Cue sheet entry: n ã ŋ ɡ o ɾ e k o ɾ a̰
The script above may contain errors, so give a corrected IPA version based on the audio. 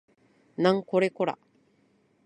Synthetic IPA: n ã ŋ k o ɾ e k o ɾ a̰